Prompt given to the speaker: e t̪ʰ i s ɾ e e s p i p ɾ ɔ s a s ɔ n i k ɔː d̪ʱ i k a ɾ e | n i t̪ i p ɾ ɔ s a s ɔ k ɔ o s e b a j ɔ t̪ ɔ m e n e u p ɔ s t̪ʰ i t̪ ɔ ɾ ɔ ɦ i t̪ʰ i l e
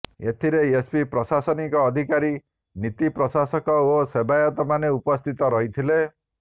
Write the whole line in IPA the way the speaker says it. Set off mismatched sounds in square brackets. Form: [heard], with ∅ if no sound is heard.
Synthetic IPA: e t̪ʰ i [∅] ɾ e e s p i p ɾ ɔ s a s ɔ n i k ɔː d̪ʱ i k a ɾ [i] | n i t̪ i p ɾ ɔ s a s ɔ k ɔ o s e b a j ɔ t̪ ɔ m [a] n e u p ɔ s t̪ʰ i t̪ ɔ ɾ ɔ ɦ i t̪ʰ i l e